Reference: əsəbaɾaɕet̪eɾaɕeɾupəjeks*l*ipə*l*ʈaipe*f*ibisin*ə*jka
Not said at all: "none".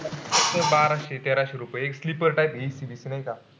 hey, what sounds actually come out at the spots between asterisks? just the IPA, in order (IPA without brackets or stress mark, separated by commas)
l, ɾ, s, a